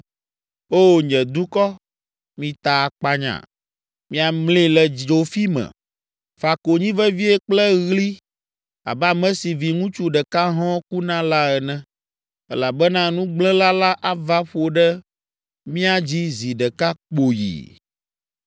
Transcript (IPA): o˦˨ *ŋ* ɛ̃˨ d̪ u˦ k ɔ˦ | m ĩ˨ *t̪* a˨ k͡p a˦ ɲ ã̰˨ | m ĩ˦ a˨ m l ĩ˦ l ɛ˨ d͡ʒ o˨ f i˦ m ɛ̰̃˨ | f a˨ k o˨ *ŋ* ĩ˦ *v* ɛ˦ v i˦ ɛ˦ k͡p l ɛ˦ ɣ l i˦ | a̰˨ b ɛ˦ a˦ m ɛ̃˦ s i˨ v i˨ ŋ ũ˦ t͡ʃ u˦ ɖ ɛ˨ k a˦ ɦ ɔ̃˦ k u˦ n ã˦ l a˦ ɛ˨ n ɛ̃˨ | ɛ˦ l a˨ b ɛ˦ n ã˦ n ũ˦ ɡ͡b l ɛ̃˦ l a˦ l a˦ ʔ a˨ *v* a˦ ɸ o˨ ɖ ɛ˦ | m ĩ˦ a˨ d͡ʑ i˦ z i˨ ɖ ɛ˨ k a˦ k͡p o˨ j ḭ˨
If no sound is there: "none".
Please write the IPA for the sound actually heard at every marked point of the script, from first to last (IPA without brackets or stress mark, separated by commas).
ɲ, t̪, ɲ, v, v